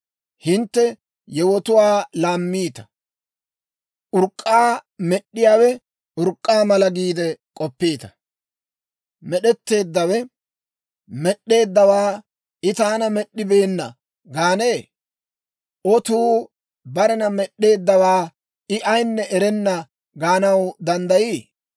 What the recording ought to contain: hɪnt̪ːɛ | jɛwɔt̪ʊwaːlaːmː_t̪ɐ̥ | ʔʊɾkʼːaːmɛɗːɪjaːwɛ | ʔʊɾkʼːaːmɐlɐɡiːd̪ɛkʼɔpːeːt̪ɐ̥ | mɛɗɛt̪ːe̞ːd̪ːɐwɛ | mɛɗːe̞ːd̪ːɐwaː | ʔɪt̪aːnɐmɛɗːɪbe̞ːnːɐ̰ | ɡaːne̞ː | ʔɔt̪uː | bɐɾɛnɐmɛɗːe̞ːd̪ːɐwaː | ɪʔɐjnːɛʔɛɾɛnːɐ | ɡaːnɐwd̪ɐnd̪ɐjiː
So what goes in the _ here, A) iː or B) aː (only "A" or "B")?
A